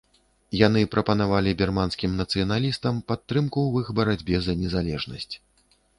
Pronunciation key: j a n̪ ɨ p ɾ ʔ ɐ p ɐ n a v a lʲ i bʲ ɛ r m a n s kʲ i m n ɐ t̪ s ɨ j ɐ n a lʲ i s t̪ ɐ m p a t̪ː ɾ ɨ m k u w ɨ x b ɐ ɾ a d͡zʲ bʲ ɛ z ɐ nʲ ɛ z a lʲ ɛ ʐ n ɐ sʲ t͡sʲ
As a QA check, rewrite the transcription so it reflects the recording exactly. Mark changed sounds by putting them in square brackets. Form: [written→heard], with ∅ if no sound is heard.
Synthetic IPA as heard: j a n̪ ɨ p ɾ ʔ ɐ p ɐ n a v a lʲ i bʲ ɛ r m a n s kʲ i m n ɐ t̪ s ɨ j ɐ n a lʲ i s t̪ ɐ m p a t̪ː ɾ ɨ m k u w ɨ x b ɐ ɾ a d͡zʲ bʲ ɛ z ɐ nʲ ɛ z a lʲ ɛ ʐ n ɐ sʲ t͡sʲ